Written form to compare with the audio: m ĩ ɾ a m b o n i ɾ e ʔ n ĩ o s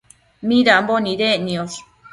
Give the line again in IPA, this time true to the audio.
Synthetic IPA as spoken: m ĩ ɾ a m b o n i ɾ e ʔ n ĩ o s